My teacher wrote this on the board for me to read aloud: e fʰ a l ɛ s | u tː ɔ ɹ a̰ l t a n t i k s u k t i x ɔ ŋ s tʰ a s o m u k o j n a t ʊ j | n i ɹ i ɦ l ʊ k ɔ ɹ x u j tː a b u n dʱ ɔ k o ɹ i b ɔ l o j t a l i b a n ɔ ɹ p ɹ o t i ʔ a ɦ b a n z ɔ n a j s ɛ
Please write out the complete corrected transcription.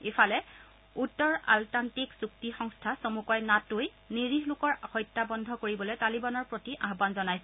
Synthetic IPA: e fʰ a l ɛ | u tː ɔ ɹ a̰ l t a n t i k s u k t i x ɔ ŋ s tʰ a s o m u k ɔ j n a t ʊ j | n i ɹ i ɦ l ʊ k ɔ ɹ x ɔ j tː a b ɔ n dʱ ɔ k o ɹ i b ɔ l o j t a l i b a n ɔ ɹ p ɹ o t i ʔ a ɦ b a n z ɔ n a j s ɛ